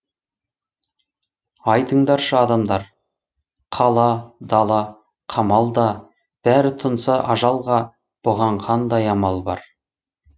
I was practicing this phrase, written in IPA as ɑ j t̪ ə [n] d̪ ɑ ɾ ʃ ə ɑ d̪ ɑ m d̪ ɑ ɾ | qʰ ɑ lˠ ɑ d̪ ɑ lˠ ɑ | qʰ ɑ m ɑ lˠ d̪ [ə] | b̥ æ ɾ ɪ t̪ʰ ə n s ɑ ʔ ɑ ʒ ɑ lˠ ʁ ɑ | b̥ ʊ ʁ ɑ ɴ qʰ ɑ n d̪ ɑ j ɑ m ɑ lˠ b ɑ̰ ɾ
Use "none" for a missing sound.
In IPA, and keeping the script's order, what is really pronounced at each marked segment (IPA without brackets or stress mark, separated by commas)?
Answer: ɴ, ɑ